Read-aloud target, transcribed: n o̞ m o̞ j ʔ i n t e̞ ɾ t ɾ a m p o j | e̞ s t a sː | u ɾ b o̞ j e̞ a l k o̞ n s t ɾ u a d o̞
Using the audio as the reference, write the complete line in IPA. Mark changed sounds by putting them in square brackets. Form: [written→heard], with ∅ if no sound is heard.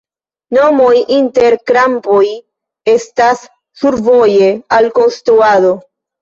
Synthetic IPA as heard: n o̞ m o̞ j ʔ i n t e̞ ɾ [t→k] ɾ a m p o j | e̞ s t a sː | u ɾ [b→v] o̞ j e̞ a l k o̞ n s t ɾ u a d o̞